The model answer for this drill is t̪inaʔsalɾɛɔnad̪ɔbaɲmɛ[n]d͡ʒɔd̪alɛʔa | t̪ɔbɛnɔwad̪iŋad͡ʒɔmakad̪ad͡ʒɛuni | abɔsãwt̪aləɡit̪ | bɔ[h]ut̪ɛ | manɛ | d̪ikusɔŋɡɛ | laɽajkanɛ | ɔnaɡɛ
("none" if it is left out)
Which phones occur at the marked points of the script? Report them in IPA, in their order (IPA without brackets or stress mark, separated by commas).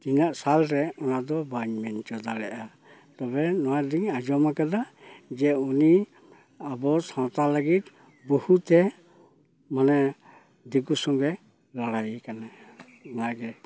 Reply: n, h